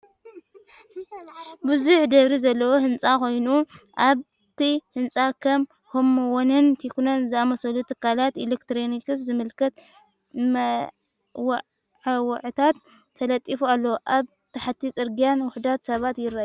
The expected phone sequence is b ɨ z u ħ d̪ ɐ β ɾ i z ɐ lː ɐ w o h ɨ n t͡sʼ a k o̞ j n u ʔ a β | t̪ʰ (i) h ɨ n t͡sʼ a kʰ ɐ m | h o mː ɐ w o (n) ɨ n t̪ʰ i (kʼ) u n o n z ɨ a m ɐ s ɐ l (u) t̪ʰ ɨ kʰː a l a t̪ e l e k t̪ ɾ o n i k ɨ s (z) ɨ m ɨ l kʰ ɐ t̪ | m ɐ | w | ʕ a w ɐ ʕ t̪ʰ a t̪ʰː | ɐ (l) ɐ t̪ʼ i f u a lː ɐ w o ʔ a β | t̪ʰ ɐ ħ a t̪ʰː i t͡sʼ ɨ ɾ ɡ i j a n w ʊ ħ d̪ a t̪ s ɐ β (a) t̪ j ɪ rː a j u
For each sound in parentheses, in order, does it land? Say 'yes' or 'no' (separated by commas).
yes, yes, no, yes, yes, yes, yes